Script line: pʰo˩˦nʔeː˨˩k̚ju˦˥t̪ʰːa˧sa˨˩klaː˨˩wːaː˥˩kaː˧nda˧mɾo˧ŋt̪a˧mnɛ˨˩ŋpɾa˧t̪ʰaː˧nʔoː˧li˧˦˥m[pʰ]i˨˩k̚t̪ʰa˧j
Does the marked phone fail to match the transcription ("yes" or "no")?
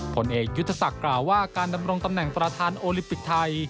yes